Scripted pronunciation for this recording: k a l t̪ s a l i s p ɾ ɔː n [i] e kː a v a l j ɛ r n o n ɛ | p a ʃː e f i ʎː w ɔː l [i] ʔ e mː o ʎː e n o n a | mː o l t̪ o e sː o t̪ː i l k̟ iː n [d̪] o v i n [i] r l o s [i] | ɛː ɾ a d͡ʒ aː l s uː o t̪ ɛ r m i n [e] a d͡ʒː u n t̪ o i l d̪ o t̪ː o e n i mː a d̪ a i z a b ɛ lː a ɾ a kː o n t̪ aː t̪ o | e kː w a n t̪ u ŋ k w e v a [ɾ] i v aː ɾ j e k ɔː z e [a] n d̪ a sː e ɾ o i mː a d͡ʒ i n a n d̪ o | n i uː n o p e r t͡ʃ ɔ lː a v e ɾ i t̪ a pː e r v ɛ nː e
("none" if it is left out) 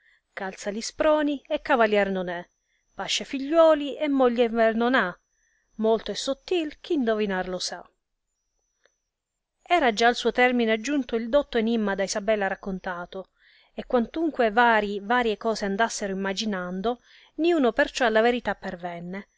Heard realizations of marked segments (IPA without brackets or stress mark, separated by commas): i, i, d̪, a, a, e, ɾ, a